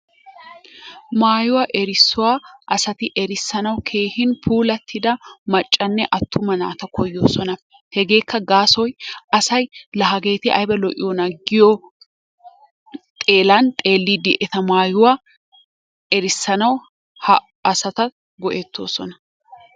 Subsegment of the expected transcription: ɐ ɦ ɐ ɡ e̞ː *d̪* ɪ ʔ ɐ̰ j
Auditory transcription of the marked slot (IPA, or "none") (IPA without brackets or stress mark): t̪